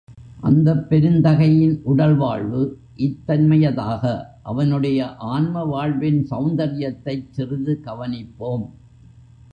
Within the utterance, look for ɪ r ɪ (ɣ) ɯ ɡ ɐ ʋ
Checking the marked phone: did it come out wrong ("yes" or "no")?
yes